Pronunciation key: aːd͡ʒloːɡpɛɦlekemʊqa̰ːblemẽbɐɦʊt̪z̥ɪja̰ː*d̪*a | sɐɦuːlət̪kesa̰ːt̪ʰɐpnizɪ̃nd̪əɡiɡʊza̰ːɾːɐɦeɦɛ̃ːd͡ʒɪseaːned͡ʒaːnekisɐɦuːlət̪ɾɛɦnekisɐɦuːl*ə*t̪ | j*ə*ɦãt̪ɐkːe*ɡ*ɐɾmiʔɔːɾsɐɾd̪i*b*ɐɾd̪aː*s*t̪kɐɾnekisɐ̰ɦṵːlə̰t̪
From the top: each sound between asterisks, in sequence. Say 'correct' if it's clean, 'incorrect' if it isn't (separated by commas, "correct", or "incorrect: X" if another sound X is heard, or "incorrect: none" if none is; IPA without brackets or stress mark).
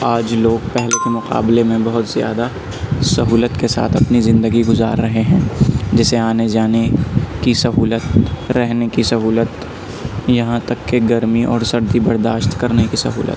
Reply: correct, correct, incorrect: ɐ, correct, correct, incorrect: ʃ